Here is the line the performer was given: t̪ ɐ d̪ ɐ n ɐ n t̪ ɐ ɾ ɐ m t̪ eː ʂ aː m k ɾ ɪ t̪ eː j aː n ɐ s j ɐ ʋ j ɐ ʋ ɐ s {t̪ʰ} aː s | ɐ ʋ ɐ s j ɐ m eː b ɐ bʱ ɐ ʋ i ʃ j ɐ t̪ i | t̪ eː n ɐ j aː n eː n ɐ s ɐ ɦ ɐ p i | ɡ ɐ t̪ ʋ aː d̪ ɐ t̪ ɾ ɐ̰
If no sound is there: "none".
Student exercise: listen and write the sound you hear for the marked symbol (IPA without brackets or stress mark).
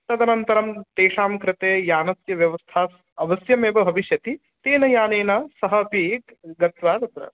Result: t̪ʰ